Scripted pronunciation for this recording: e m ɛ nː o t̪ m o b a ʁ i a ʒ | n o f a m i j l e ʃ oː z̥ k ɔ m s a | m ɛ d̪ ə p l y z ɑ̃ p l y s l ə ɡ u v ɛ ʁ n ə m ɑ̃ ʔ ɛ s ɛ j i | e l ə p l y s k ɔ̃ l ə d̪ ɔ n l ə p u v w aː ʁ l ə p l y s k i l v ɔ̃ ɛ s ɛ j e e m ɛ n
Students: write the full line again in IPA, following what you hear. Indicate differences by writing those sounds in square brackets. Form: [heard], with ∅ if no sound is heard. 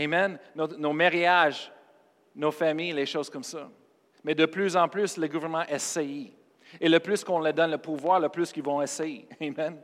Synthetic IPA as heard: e m ɛ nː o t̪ [n] o [m] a ʁ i a ʒ | n o f a m i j l e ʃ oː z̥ k ɔ m s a | m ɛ d̪ ə p l y z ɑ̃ p l y s l ə ɡ u v ɛ ʁ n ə m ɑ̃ ʔ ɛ s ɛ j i | e l ə p l y s k ɔ̃ l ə d̪ ɔ n l ə p u v w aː ʁ l ə p l y s k i l v ɔ̃ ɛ s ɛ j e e m ɛ n